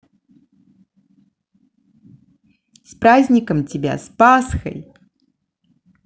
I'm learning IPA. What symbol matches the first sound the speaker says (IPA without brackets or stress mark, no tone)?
s